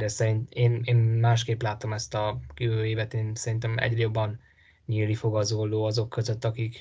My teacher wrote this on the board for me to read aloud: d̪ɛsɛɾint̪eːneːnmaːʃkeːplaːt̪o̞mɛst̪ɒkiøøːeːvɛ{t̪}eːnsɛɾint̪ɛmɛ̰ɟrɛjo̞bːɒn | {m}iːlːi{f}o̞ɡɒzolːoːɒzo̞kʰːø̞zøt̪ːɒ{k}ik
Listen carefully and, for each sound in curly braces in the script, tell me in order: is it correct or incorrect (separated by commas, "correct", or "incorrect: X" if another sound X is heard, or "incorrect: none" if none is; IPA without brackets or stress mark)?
correct, incorrect: ɲ, correct, correct